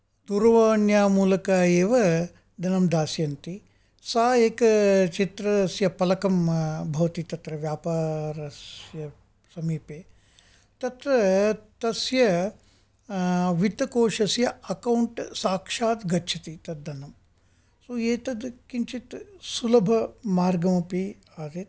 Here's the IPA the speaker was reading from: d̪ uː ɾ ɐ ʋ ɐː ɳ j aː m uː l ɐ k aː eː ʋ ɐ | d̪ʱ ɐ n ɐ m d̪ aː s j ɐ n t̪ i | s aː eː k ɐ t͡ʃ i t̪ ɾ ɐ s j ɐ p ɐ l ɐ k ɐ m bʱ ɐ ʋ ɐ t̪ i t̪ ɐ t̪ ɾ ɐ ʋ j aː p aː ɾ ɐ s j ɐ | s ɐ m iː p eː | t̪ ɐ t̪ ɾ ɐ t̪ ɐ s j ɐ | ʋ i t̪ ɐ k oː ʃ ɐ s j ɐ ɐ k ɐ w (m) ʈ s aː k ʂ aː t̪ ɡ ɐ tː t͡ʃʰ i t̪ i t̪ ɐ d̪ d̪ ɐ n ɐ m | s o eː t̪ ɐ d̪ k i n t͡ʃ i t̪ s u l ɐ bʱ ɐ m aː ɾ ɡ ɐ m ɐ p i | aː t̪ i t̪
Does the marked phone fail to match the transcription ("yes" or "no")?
yes